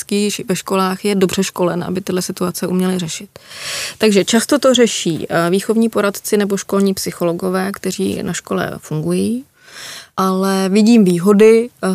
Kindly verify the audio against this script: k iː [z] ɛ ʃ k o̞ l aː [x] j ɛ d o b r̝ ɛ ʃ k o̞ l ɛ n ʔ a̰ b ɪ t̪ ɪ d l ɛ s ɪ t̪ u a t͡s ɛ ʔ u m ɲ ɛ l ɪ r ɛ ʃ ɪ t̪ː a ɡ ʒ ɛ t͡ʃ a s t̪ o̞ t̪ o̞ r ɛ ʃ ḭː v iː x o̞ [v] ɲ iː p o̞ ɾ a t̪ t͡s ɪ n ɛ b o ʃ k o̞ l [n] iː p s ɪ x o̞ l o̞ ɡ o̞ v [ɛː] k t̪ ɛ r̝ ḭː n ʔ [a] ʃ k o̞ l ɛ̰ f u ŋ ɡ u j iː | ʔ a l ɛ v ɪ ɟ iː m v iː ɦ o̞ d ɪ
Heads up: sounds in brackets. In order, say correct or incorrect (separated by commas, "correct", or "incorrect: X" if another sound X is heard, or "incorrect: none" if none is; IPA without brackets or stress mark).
incorrect: v, correct, correct, incorrect: ɲ, correct, correct